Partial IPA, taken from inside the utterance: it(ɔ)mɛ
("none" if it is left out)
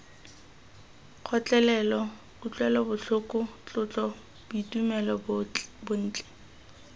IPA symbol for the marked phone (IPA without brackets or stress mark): u